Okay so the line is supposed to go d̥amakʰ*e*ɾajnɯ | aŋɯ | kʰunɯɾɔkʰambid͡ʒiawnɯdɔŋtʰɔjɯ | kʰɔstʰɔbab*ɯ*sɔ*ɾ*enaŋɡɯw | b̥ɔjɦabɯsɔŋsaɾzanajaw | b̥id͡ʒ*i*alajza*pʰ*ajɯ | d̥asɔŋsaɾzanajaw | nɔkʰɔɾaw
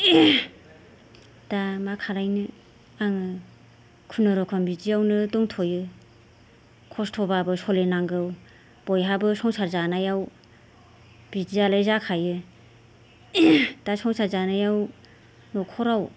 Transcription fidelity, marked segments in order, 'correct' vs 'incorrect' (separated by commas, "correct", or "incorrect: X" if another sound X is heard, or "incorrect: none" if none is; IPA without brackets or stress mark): incorrect: a, correct, incorrect: l, correct, incorrect: kʰ